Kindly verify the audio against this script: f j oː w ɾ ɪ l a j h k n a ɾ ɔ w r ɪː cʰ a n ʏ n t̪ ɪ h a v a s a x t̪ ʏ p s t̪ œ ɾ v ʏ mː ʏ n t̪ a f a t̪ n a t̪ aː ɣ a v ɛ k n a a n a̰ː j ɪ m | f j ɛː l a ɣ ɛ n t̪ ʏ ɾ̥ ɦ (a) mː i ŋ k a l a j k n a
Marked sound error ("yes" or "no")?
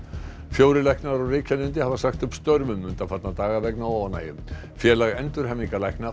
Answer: yes